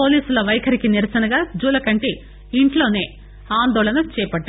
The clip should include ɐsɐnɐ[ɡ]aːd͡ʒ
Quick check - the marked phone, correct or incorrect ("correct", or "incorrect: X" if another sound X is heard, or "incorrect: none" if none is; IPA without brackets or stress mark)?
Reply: correct